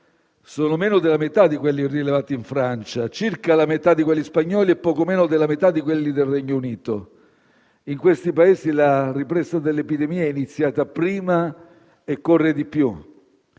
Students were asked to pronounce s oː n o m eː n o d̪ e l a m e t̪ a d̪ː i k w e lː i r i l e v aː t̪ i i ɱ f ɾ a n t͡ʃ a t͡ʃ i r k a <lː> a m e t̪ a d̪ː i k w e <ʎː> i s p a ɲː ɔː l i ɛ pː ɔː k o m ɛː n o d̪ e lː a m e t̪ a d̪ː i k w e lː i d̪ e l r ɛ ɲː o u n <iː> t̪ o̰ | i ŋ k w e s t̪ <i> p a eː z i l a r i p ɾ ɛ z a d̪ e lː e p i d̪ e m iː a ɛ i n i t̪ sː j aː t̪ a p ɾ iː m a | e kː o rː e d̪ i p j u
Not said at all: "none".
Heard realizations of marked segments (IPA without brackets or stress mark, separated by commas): l, lː, iː, i